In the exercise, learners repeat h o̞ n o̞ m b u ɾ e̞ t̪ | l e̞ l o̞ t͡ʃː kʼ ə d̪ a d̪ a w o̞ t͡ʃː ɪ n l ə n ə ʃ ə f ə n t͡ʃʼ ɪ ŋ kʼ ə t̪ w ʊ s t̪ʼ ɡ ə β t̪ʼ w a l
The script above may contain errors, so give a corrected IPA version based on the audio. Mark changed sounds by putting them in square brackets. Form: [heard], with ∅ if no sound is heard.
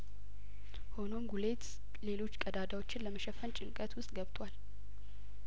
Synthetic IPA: h o̞ n o̞ m [ɡ] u [l] e̞ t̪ | l e̞ l o̞ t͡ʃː kʼ ə d̪ a d̪ a w o̞ t͡ʃː ɪ n l ə [m] ə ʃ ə f ə n t͡ʃʼ ɪ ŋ kʼ ə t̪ w ʊ s t̪ʼ ɡ ə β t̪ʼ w a l